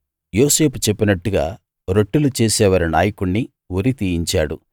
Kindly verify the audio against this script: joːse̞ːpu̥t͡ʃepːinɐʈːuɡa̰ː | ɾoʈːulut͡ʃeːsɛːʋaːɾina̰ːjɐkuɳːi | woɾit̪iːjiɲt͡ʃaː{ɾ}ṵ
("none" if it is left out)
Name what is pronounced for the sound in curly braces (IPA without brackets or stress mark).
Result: ɽ